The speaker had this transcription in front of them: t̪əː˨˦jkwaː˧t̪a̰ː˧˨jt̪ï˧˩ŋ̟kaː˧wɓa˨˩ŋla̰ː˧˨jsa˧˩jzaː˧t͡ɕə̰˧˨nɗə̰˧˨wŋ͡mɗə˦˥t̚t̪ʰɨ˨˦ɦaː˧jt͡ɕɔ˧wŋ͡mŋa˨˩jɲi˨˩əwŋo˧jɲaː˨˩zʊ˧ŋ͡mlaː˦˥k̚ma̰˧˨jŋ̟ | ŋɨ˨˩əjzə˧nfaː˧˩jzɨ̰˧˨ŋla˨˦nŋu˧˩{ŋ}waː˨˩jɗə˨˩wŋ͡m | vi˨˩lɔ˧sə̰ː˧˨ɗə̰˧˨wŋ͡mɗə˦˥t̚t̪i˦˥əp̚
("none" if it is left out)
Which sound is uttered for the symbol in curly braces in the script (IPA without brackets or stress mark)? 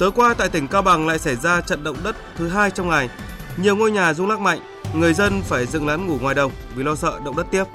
ŋ